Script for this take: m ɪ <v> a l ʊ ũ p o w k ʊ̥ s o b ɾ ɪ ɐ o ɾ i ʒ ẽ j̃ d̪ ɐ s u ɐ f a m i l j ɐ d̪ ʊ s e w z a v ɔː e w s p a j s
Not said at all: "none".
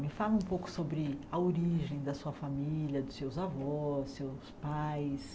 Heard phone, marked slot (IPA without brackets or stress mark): f